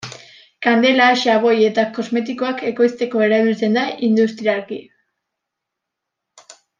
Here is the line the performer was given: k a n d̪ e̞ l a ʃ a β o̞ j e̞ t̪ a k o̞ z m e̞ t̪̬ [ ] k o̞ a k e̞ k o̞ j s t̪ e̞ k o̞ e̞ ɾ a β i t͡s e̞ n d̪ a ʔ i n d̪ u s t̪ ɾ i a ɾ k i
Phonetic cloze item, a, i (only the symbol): i